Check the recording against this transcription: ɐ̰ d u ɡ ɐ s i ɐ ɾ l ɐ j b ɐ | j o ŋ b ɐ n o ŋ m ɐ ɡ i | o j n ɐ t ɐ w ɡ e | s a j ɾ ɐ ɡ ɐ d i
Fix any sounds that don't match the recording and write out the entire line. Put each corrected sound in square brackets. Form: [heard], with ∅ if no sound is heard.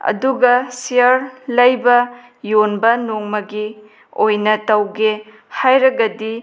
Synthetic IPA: ɐ̰ d u ɡ ɐ s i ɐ ɾ l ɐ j b ɐ | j o [n] b ɐ n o ŋ m ɐ ɡ i | o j n ɐ t ɐ w ɡ e | [h] a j ɾ ɐ ɡ ɐ d i